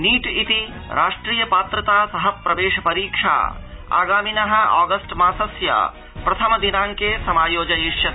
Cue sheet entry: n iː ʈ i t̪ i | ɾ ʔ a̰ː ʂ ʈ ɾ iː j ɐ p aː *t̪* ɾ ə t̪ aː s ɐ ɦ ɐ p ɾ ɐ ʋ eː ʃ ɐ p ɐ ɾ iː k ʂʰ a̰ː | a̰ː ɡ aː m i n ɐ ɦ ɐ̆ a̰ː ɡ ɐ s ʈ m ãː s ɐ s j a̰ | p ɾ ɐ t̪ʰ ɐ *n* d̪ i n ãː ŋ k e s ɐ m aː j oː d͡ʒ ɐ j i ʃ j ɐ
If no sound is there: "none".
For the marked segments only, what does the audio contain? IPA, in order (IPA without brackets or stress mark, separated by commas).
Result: t̪, m